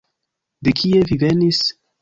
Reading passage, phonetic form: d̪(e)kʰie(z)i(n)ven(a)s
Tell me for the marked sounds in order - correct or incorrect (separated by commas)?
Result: correct, incorrect, incorrect, incorrect